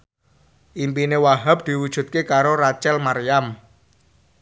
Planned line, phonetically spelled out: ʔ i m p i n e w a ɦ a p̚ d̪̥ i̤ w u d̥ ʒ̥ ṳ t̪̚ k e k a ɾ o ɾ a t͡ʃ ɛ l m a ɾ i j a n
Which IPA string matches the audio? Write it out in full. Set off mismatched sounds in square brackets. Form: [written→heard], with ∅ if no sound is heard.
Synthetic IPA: ʔ i m p i n e w a ɦ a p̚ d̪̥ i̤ w u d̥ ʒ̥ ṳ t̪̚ k e k a ɾ o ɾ a t͡ʃ ɛ l m a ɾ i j a [n→m]